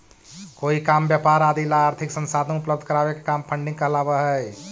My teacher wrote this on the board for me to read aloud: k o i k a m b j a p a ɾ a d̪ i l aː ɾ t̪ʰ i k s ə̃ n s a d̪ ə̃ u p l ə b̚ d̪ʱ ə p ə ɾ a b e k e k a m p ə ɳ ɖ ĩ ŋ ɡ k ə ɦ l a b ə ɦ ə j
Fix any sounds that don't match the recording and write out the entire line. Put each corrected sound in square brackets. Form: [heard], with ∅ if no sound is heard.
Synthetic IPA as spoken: k o i k a m b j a p a ɾ a d̪ i l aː ɾ t̪ʰ i k s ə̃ n s a d̪ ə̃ u p l ə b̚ d̪ʱ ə [k] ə ɾ a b e k e k a m [pʰ] ə ɳ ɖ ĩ ŋ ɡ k ə ɦ l a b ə ɦ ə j